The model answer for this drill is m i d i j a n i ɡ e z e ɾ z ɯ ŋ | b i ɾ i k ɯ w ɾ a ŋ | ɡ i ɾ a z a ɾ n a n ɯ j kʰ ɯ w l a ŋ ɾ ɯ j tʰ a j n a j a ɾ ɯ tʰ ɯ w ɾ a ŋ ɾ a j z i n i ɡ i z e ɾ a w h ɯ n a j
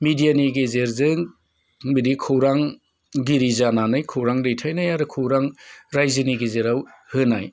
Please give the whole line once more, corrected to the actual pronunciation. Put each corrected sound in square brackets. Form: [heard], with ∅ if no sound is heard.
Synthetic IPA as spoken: m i d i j a n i ɡ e z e ɾ z ɯ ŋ | b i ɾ i [kʰ] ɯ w ɾ a ŋ | ɡ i ɾ [i] z a [∅] n a n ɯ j kʰ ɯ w [ɾ] a ŋ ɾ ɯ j tʰ a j n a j a ɾ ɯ [kʰ] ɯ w ɾ a ŋ ɾ a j z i n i ɡ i z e ɾ a w h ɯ n a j